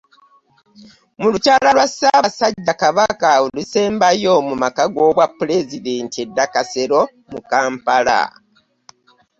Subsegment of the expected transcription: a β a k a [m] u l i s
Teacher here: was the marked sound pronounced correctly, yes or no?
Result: no